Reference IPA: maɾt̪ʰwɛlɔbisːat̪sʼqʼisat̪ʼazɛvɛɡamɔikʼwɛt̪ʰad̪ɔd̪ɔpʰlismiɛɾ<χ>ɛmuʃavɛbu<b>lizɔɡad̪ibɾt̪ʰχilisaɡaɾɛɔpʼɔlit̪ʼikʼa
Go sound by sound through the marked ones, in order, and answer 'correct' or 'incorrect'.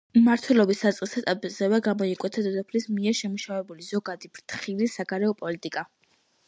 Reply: incorrect, incorrect

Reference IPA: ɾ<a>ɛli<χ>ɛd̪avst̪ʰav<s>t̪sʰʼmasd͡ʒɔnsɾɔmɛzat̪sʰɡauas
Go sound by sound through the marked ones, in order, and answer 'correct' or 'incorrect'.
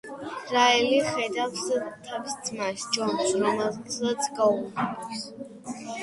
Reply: correct, correct, correct

